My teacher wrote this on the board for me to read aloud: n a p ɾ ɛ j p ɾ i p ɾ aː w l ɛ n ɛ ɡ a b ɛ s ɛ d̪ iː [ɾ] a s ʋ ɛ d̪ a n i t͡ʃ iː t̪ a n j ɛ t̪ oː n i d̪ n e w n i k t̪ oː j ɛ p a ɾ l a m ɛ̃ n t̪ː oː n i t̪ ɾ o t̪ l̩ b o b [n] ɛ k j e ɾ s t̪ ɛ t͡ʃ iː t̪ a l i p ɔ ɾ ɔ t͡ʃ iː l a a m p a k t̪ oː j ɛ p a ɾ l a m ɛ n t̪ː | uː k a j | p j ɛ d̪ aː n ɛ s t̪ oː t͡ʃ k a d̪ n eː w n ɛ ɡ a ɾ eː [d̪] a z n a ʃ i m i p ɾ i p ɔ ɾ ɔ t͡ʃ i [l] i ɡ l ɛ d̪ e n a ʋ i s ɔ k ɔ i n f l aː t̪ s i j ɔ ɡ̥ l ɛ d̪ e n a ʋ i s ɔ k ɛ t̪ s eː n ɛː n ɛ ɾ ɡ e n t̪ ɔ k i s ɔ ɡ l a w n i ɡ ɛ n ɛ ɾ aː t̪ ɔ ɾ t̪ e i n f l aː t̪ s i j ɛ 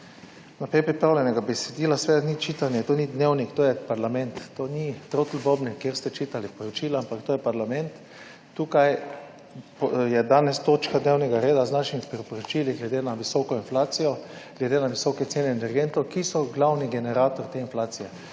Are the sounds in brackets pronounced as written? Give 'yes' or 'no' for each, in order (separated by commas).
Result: no, yes, yes, yes